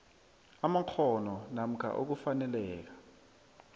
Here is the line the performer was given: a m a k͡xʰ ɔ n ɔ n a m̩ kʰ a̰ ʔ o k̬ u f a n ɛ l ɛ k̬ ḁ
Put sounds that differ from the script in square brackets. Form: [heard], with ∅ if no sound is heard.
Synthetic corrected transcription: a m a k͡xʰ ɔ n ɔ n a m̩ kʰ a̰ ʔ o k̬ u f a n ɛ l [ɛː] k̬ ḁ